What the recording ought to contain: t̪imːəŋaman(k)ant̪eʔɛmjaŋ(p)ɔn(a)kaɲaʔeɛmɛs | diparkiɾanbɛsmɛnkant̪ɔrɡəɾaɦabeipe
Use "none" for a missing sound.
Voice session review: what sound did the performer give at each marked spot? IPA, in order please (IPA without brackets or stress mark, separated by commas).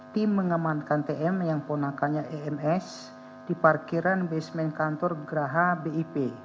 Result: k, p, a